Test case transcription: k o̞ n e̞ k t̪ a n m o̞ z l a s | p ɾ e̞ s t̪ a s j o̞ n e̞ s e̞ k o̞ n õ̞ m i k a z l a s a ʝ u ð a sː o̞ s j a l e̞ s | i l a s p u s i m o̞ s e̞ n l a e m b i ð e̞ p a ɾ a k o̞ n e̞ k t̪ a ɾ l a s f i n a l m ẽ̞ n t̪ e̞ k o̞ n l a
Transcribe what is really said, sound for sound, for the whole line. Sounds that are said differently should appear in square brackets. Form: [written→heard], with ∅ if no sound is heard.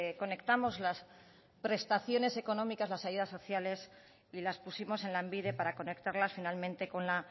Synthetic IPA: k o̞ n e̞ k t̪ a [n→∅] m o̞ z l a s | p ɾ e̞ s t̪ a [s→θ] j o̞ n e̞ s e̞ k o̞ n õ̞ m i k a z l a s a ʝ u ð a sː o̞ [s→θ] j a l e̞ s | i l a s p u s i m o̞ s e̞ n l a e m b i ð e̞ p a ɾ a k o̞ n e̞ k t̪ a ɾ l a s f i n a l m ẽ̞ n t̪ e̞ k o̞ n l a